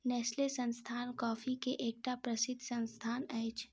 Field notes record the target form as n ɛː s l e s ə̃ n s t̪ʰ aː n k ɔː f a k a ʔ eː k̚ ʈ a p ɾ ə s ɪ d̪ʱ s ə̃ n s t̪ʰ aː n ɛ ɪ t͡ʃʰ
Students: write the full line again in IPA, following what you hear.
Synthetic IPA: n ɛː s l e s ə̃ n s t̪ʰ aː n k ɔː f i k e ʔ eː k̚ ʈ a p ɾ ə s ɪ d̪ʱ s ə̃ n s t̪ʰ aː n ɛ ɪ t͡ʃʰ